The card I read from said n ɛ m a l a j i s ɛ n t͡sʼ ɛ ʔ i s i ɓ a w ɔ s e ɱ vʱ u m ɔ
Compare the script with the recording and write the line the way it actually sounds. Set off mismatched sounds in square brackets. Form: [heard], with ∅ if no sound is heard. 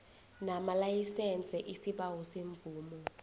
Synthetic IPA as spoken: n [a] m a l a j i s ɛ n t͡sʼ ɛ ʔ i s i ɓ a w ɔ s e ɱ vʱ [uː] m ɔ